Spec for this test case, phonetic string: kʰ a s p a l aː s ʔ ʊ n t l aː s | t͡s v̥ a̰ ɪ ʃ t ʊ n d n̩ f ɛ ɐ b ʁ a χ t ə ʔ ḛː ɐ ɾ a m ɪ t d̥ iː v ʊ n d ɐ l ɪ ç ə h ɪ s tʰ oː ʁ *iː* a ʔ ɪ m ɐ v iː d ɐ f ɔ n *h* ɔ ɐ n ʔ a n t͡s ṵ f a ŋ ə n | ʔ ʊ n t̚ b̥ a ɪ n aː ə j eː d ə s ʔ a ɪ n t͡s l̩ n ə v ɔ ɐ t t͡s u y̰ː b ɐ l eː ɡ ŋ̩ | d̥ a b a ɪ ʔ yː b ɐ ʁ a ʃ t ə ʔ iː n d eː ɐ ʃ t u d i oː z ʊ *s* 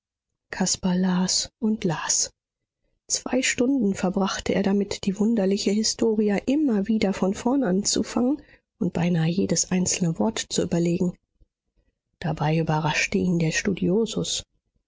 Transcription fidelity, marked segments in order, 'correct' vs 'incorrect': incorrect, incorrect, correct

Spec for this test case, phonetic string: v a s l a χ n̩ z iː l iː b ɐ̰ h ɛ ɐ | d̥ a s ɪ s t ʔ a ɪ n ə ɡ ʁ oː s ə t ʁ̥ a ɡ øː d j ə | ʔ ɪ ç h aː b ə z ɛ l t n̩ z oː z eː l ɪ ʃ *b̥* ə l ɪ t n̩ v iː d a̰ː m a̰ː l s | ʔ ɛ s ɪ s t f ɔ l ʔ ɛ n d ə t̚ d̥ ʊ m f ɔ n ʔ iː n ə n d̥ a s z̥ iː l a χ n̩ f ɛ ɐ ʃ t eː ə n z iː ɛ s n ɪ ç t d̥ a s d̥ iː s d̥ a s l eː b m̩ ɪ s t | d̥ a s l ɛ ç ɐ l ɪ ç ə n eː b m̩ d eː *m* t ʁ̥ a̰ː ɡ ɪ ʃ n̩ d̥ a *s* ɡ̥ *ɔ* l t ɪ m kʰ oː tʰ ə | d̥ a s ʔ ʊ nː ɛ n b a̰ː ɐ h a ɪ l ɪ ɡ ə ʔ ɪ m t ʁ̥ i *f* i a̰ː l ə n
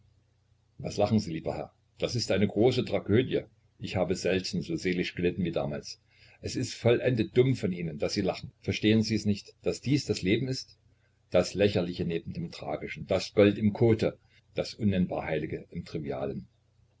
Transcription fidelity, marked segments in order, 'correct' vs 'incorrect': incorrect, correct, correct, correct, incorrect

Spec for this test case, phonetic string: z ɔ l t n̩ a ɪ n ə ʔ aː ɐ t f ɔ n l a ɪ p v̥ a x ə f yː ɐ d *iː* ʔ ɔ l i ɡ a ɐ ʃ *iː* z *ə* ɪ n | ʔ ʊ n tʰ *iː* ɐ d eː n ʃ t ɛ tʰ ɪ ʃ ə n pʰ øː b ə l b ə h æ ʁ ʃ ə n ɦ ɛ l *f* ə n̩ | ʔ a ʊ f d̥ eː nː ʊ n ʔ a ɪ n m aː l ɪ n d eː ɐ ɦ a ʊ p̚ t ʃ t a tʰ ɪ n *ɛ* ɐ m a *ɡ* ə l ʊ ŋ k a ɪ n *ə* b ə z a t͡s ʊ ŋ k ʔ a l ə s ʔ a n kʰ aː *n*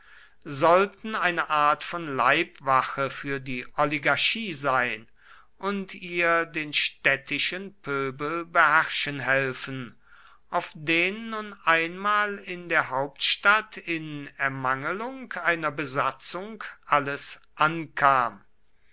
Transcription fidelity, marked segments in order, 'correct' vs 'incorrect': correct, correct, incorrect, correct, correct, correct, incorrect, incorrect, incorrect

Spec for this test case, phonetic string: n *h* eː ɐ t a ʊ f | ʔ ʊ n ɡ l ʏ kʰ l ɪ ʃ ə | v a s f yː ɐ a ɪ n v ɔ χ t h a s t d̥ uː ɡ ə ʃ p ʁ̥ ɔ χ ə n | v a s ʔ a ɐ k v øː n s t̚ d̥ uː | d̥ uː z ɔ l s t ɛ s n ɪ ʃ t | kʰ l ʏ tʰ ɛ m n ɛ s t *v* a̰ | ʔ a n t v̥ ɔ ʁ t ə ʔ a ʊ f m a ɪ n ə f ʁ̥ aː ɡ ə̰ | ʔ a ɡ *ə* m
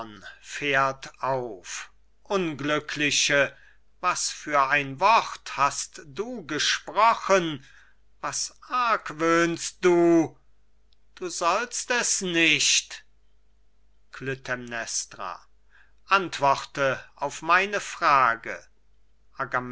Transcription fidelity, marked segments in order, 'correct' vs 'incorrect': incorrect, incorrect, incorrect

